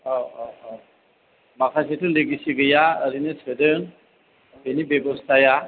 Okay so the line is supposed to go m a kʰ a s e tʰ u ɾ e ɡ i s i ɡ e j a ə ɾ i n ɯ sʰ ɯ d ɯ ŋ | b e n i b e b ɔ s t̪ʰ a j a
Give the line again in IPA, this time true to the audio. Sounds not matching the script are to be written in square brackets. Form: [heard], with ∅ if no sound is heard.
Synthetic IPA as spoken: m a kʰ a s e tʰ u [l] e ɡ i s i ɡ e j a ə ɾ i n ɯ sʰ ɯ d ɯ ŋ | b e n i b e b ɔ s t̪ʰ a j a